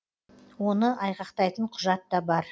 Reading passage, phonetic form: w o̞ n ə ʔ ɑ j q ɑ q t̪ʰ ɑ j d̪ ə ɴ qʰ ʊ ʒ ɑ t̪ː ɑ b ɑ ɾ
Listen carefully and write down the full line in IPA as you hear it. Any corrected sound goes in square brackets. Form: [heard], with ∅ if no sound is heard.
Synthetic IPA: w o̞ n ə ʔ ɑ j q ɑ q [t̪] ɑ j [t̪] ə ɴ qʰ ʊ ʒ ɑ t̪ː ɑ b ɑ ɾ